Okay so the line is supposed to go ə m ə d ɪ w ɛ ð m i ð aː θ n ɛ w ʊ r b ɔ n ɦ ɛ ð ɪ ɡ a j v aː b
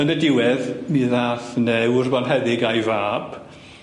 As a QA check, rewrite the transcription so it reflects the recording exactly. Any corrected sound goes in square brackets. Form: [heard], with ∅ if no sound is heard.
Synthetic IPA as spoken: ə [n] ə d ɪ w ɛ ð m i ð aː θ n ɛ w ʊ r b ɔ n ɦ ɛ ð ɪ ɡ a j v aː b